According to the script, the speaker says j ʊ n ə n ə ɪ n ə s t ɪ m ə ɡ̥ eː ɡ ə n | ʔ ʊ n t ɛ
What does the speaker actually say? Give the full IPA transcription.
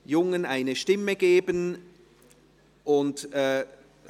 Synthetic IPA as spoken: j ʊ ŋ ə n a ɪ n ə ʃ t ɪ m ə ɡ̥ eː b ə n | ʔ ʊ n t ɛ